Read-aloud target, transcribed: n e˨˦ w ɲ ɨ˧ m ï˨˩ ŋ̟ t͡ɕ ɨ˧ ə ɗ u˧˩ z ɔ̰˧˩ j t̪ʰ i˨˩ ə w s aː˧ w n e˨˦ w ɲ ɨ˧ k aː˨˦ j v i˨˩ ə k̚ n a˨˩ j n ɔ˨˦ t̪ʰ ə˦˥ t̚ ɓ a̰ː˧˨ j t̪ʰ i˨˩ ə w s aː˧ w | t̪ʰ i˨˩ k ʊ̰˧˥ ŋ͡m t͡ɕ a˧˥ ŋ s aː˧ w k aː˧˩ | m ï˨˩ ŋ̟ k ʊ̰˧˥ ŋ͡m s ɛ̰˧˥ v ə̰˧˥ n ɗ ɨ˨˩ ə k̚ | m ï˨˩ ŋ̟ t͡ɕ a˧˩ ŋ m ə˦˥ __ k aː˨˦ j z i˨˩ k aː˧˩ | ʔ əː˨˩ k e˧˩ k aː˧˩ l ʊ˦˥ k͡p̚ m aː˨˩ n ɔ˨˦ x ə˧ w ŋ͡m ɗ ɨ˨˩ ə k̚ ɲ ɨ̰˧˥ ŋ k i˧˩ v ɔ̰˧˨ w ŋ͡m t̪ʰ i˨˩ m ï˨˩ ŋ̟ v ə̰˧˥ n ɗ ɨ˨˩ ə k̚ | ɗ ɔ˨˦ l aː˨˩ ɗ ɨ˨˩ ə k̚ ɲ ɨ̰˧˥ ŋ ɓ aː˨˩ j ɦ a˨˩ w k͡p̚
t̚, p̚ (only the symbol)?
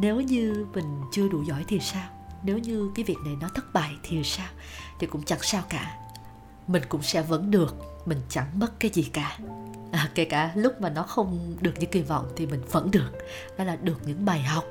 t̚